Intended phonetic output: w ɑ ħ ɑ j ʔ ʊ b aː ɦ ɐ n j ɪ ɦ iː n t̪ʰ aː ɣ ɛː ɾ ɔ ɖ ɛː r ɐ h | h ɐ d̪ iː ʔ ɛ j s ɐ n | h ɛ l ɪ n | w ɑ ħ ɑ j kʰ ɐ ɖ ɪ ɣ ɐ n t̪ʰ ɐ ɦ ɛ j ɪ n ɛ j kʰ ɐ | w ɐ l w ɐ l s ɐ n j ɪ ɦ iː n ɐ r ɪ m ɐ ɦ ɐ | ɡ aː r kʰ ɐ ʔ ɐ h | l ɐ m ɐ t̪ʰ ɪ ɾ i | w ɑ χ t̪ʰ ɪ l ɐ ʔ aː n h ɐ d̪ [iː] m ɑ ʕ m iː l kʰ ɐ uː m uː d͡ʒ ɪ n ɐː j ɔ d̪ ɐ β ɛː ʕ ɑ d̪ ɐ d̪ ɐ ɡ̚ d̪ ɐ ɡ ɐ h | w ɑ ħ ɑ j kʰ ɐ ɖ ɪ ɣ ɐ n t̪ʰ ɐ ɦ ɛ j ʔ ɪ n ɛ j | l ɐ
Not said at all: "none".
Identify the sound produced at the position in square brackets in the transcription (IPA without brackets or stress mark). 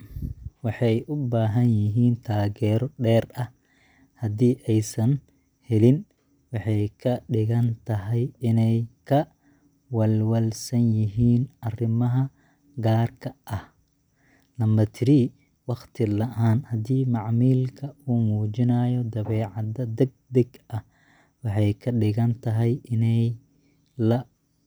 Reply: iː